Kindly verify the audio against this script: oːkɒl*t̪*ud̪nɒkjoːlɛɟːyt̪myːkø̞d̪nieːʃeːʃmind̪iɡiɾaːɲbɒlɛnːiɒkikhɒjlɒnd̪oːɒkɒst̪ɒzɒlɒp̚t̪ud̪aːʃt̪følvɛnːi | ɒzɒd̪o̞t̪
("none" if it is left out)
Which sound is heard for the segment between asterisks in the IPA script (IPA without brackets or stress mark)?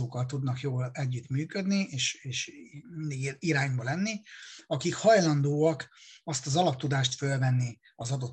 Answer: t̪